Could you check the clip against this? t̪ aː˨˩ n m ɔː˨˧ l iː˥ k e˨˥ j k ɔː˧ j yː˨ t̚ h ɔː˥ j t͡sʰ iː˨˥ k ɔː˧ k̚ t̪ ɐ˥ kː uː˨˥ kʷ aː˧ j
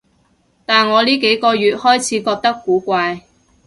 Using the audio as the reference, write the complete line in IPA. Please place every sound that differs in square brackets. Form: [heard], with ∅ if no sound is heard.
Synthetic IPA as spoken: t̪ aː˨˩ n [ŋ] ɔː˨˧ l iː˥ k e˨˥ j k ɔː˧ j yː˨ t̚ h ɔː˥ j t͡sʰ iː˨˥ k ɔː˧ k̚ t̪ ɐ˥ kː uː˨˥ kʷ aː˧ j